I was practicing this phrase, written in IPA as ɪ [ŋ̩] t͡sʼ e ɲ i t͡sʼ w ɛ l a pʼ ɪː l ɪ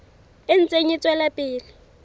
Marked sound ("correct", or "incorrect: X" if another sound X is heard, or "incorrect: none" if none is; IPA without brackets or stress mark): incorrect: n̩